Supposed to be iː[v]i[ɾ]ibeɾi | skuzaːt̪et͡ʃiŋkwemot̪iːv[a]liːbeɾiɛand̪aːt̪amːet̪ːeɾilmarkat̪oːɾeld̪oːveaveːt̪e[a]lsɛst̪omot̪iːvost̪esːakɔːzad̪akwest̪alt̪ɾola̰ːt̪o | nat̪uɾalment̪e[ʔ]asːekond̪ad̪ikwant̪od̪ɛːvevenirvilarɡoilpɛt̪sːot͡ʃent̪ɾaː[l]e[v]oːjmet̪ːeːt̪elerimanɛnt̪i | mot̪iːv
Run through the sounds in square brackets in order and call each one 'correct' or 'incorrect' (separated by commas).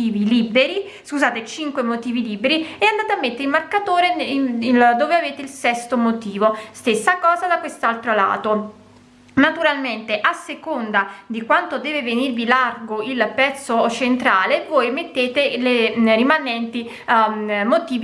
correct, incorrect, incorrect, incorrect, correct, correct, correct